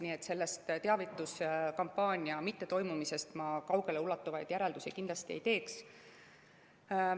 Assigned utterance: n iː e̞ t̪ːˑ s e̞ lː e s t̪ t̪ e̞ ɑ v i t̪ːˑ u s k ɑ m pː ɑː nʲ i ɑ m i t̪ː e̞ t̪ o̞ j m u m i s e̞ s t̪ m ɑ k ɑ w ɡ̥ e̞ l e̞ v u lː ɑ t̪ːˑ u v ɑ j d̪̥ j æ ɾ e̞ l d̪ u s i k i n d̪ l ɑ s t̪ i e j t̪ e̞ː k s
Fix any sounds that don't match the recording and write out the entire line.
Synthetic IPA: n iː e̞ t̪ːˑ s e̞ lː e s t̪ t̪ e̞ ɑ v i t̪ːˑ u s k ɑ m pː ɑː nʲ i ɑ m i t̪ː e̞ t̪ o̞ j m u m i s e̞ s t̪ m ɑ k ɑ w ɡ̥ e̞ l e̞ u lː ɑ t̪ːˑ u v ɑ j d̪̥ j æ ɾ e̞ l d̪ u s i k i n d̪ l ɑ s t̪ i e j t̪ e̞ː k s

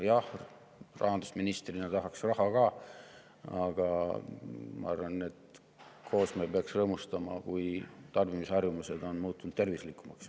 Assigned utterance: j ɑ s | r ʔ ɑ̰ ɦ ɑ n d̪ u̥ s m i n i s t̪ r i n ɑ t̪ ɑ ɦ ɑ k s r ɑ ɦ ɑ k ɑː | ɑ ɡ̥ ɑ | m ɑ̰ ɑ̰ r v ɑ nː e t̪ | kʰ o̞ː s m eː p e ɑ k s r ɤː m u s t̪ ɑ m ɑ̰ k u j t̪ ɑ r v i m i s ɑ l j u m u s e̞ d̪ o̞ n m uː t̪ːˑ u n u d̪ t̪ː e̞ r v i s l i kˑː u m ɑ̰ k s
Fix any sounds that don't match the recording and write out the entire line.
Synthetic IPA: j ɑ h | r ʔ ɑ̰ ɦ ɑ n d̪ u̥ s m i n i s t̪ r i n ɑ t̪ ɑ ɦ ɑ k s r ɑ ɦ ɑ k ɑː | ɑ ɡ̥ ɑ | m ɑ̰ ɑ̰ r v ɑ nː e t̪ | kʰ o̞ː s m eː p e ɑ k s r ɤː m u s t̪ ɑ m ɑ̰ k u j t̪ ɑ r v i m i s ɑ r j u m u s e̞ d̪ o̞ n m uː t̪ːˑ u n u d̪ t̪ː e̞ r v i s l i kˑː u m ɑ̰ k s

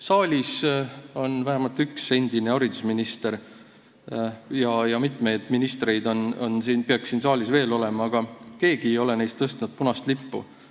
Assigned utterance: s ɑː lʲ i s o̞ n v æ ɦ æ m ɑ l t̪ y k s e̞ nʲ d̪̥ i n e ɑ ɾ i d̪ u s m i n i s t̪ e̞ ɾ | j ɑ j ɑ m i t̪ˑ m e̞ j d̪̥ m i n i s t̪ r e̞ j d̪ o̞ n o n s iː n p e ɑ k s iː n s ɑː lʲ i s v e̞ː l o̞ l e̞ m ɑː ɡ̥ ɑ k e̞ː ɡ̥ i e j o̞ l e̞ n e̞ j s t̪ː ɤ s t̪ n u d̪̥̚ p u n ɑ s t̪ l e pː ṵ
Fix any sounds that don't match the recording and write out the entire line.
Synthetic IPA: s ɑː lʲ i s o̞ n v æ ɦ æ m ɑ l t̪ y k s e̞ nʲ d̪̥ i n e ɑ ɾ i d̪ u s m i n i s t̪ e̞ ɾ | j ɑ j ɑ m i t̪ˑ m e̞ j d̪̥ m i n i s t̪ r e̞ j d̪ o̞ n o n s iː n p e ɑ k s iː n s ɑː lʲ i s v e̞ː l o̞ l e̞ m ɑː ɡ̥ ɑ k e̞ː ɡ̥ i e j o̞ l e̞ n e̞ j s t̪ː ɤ s t̪ n u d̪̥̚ p u n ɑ s t̪ l i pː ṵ

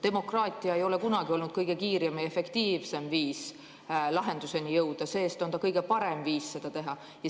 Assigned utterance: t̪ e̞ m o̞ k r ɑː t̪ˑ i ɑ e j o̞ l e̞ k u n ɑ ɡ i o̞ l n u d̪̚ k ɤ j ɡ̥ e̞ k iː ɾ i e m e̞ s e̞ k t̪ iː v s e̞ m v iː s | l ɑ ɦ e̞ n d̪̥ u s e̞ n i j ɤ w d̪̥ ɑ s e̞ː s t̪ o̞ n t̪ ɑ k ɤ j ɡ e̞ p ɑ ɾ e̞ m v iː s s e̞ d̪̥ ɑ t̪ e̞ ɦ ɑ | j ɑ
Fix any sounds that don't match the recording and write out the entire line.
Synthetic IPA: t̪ e̞ m o̞ k r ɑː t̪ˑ i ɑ e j o̞ l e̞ k u n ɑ ɡ i o̞ l n u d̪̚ k ɤ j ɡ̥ e̞ k iː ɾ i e m e̞ f e̞ k t̪ iː v s e̞ m v iː s | l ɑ ɦ e̞ n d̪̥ u s e̞ n i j ɤ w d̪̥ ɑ s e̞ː s t̪ o̞ n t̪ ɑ k ɤ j ɡ e̞ p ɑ ɾ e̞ m v iː s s e̞ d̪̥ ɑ t̪ e̞ ɦ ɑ | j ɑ

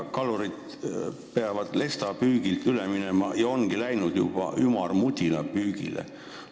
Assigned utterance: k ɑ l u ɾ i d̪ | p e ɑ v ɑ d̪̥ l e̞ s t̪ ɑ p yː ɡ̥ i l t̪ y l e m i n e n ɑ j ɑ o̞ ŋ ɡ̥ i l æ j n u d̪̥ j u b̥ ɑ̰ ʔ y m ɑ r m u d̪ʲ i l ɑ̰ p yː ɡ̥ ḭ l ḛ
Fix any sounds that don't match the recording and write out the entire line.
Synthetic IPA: k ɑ l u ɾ i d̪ | p e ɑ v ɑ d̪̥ l e̞ s t̪ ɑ p yː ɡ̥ i l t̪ y l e m i n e m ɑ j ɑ o̞ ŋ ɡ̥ i l æ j n u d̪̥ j u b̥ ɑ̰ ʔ y m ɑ r m u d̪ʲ i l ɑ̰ p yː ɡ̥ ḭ l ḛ

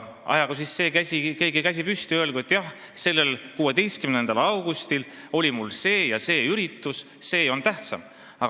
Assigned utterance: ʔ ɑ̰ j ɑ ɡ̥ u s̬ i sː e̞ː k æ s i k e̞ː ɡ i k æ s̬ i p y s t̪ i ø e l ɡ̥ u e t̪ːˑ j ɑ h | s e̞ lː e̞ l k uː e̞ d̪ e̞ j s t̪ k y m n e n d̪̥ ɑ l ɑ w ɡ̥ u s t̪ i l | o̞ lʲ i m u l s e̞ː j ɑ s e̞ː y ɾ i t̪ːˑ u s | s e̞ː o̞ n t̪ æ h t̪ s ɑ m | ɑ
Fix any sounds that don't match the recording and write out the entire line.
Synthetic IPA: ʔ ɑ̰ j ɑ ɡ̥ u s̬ i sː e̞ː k æ s i k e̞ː ɡ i k æ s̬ i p y s t̪ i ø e l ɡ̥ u e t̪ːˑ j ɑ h | s e̞ lː e̞ l k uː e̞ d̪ e̞ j s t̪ k y m n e n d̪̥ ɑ l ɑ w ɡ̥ u s t̪ i l | o̞ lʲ i m u l s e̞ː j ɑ s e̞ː y ɾ i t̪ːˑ u s | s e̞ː o̞ n t̪ æ h t̪ s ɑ m | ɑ

